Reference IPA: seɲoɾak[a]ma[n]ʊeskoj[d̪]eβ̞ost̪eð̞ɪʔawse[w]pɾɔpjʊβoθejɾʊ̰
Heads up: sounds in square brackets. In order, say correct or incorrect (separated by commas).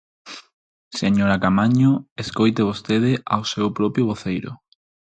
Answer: correct, incorrect, incorrect, correct